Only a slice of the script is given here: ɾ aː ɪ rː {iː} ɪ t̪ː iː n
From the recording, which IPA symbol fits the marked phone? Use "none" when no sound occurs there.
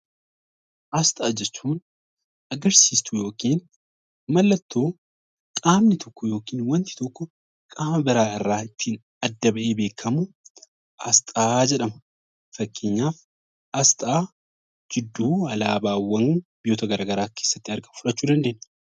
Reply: aː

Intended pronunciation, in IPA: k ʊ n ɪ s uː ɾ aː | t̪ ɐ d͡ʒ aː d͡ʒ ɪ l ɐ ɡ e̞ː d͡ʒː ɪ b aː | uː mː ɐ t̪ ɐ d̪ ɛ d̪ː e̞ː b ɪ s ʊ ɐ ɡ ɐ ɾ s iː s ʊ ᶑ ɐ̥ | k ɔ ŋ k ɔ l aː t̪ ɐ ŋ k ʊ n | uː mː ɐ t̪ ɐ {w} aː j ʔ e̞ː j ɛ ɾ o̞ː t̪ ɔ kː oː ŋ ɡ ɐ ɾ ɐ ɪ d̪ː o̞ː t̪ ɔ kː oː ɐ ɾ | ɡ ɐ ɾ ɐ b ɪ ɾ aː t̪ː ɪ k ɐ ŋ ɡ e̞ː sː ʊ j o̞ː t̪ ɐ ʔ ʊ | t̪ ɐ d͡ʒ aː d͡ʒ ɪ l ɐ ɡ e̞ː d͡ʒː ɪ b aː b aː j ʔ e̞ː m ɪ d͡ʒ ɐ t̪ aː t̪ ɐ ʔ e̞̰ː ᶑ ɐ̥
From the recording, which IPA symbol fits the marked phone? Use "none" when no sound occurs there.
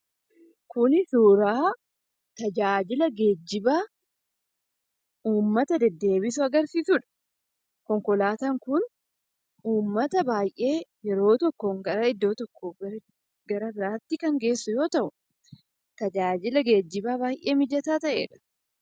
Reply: b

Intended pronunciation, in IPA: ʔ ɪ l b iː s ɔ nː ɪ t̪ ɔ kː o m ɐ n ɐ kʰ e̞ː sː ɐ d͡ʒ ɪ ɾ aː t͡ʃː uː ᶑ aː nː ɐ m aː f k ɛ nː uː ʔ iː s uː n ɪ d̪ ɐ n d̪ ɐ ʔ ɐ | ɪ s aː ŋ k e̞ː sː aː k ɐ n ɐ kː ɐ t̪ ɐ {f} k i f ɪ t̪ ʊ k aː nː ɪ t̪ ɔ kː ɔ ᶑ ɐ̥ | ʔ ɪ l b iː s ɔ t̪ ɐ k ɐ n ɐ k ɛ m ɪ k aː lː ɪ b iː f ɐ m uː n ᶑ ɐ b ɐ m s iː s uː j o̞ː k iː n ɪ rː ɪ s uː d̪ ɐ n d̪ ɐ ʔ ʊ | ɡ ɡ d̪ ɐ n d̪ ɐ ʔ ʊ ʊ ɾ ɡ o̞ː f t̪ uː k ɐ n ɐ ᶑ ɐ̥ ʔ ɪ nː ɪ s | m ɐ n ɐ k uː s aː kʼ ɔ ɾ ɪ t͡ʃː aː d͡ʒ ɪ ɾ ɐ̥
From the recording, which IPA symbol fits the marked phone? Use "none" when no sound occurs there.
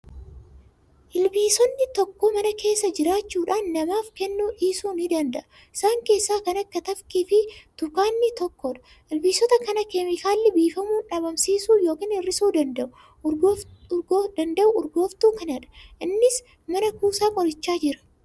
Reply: f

